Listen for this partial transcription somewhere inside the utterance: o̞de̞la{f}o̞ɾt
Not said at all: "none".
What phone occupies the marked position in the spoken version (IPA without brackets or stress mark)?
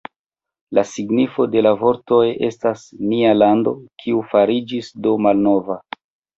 v